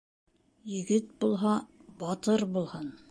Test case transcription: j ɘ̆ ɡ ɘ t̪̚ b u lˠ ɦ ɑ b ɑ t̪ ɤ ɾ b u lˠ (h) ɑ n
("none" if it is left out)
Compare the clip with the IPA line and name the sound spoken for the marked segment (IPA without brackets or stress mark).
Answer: h